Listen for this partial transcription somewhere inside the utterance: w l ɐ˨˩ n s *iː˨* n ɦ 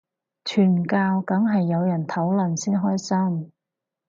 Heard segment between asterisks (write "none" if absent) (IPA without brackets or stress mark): iː˥